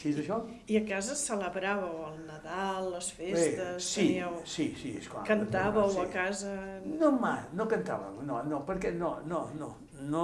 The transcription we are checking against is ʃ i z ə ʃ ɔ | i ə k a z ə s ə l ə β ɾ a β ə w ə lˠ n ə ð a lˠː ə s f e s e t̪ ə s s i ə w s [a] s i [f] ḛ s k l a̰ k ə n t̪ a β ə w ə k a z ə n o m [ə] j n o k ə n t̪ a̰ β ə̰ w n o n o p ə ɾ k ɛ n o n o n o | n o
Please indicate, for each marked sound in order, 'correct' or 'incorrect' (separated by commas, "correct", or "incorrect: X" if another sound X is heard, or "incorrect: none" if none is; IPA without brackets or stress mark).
incorrect: i, incorrect: none, incorrect: a